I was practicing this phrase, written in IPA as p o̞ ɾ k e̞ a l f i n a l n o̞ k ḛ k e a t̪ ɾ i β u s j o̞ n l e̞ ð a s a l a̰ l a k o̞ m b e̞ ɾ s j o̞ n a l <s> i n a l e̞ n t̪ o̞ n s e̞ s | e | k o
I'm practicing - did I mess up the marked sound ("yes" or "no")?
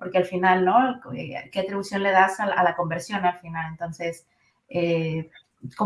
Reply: yes